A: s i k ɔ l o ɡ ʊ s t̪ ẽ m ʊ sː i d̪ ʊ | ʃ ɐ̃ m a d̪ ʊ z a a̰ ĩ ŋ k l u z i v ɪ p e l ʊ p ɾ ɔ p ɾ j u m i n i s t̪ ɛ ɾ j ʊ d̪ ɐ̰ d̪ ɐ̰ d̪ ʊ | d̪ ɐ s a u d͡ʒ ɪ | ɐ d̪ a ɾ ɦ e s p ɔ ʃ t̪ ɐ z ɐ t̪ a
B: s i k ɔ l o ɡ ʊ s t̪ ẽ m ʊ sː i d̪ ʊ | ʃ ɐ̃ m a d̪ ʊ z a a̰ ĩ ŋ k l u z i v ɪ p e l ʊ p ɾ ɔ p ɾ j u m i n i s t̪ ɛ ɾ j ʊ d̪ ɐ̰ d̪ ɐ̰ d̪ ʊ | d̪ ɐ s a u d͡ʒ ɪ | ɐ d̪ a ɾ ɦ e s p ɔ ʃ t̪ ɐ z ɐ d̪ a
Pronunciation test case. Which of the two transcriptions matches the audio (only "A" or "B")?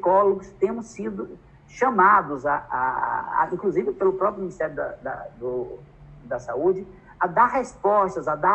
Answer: B